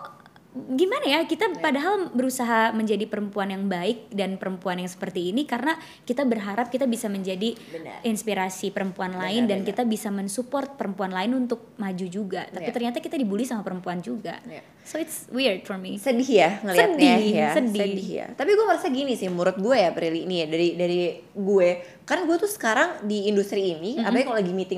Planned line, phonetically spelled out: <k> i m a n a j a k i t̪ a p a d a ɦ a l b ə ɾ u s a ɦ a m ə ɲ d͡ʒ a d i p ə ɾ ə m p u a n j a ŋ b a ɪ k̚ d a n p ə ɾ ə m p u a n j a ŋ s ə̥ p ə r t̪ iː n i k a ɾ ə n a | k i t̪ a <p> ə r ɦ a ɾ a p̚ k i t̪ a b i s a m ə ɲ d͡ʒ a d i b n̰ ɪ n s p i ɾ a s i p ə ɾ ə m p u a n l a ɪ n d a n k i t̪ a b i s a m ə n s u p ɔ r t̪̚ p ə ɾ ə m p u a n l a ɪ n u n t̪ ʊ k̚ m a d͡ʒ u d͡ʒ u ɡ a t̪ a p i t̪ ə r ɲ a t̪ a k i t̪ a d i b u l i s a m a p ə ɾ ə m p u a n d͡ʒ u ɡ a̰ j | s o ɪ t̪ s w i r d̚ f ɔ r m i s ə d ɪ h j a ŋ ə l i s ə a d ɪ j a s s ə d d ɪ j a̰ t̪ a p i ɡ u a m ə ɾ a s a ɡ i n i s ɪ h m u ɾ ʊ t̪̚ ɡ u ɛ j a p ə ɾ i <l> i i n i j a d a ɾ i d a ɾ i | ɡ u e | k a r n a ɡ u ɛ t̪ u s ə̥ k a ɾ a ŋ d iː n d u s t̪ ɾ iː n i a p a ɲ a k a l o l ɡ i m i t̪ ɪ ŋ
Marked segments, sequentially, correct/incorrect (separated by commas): incorrect, incorrect, correct